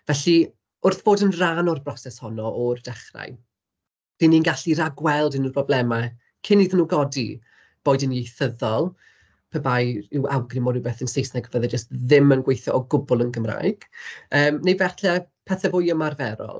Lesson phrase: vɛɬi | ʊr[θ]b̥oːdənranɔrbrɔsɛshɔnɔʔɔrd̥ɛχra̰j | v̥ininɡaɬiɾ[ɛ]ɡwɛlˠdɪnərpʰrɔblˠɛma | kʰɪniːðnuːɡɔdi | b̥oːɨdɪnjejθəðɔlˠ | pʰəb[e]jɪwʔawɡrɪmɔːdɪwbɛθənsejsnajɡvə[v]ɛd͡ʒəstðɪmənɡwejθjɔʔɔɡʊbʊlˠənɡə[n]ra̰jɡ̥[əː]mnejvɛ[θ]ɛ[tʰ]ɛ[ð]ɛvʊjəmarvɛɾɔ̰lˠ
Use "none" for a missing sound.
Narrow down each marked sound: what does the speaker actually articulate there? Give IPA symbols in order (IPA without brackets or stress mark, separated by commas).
θ, a, a, ð, m, əː, θ, pʰ, θ